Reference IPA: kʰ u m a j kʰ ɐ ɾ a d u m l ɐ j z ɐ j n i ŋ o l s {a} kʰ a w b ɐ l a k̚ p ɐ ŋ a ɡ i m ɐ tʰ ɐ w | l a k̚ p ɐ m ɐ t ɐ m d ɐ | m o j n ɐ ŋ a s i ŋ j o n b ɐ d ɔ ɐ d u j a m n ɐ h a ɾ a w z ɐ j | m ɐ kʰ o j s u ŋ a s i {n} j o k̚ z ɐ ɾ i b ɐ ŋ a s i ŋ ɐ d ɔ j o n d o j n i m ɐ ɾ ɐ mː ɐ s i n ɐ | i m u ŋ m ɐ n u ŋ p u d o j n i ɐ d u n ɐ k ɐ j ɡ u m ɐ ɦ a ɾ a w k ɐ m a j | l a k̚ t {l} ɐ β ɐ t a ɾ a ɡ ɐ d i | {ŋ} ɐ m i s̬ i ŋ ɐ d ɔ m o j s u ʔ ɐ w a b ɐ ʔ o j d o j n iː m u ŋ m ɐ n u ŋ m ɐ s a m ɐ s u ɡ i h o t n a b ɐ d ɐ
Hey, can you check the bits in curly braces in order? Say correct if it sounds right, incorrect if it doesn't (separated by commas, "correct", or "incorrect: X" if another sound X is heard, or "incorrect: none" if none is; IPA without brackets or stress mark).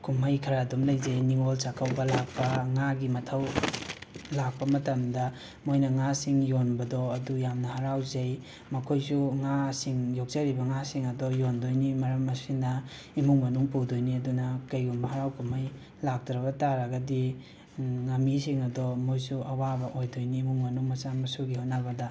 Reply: correct, incorrect: ŋ, incorrect: ɾ, correct